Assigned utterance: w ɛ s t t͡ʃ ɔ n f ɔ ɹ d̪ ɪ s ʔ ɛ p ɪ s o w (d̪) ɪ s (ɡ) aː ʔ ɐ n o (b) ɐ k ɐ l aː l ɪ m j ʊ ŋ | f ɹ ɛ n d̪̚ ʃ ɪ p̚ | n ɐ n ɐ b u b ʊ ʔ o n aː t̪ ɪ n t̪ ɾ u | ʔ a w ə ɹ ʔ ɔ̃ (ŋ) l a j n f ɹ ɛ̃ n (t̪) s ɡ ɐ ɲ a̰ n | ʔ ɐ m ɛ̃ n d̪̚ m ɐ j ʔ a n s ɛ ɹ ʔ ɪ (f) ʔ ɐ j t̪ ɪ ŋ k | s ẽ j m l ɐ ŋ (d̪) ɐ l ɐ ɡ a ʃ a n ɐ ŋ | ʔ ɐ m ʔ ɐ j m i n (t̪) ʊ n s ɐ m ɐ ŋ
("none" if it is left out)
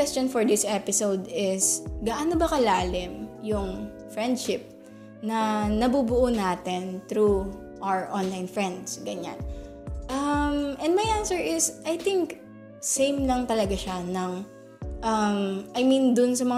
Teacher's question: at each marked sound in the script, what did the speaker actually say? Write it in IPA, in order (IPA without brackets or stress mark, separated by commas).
d̪, ɡ, b, n, d̪, s, t̪, d̪